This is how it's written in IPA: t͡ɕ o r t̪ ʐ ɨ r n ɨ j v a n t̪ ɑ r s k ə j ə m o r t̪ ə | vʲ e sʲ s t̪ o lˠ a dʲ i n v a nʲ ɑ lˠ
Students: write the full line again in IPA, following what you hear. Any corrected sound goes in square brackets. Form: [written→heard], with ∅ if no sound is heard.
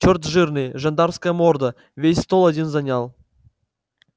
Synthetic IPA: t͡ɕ o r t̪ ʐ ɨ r n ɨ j [v→ʐ] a n [t̪→d̪] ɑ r s k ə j ə m o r [t̪→d̪] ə | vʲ e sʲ s t̪ o lˠ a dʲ i n [v→z] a nʲ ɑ lˠ

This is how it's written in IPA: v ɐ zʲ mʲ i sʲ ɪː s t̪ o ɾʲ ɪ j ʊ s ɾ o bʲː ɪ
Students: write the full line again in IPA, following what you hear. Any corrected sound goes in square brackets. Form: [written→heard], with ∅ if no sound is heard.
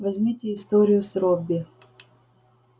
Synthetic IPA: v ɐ zʲ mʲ i [sʲ→tʲ] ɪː s t̪ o ɾʲ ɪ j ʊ s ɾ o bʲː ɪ

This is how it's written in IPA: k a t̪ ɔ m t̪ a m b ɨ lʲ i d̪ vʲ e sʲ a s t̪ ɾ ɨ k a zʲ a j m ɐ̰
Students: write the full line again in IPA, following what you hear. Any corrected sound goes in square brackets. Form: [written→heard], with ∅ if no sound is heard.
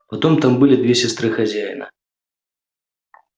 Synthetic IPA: [k→p] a t̪ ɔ m t̪ a m b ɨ lʲ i d̪ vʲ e sʲ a s t̪ ɾ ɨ [k→x] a zʲ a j [m→n] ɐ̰

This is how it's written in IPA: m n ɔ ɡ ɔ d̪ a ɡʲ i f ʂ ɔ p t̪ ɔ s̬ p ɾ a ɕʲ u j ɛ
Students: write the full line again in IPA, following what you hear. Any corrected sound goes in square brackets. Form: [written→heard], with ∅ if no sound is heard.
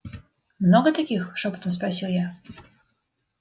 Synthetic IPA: m n ɔ ɡ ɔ [d̪→t̪] a [ɡʲ→kʲ] i [f→x] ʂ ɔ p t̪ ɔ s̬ p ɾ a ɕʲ u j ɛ

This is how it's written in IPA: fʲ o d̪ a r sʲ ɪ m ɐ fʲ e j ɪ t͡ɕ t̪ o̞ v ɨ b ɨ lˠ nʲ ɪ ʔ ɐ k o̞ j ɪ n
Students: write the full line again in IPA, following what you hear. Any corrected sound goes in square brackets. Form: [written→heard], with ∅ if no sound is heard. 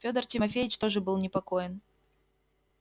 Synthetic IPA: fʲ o d̪ [a→ə] r [sʲ→tʲ] ɪ m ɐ fʲ e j ɪ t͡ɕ t̪ o̞ [v→ʐ] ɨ b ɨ lˠ nʲ ɪ [ʔ→p] ɐ k o̞ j ɪ n

